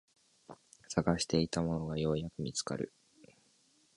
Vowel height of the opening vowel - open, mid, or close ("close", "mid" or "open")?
open